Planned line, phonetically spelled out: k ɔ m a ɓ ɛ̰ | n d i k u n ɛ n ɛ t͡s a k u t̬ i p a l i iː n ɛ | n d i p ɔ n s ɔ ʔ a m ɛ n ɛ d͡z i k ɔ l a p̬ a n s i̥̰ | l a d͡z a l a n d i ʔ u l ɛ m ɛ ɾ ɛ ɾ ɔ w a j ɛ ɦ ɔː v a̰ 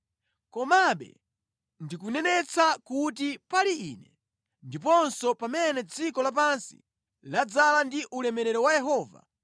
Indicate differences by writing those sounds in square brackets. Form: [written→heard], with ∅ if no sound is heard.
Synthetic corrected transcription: k ɔ m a ɓ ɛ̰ | n d i k u n ɛ n ɛ t͡s a k u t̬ i p a l i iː n ɛ | n d i p ɔ n s ɔ [ʔ→p] a m ɛ n ɛ d͡z i k ɔ l a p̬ a n s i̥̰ | l a d͡z a l a n d i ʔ u l ɛ m ɛ ɾ ɛ ɾ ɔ w a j ɛ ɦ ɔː v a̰